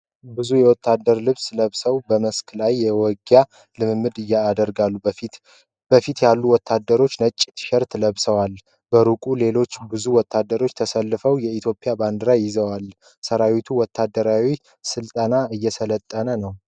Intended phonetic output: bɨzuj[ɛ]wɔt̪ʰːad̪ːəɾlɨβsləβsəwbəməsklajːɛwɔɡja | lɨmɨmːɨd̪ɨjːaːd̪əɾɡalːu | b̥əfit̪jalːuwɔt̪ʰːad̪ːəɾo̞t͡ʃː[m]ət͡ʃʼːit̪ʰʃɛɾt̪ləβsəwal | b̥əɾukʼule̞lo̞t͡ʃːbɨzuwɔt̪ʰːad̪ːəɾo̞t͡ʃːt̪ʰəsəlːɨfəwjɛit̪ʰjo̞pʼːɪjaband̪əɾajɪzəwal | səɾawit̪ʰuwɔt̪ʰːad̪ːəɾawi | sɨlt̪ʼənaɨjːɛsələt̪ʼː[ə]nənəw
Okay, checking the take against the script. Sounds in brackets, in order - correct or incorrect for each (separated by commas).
correct, incorrect, correct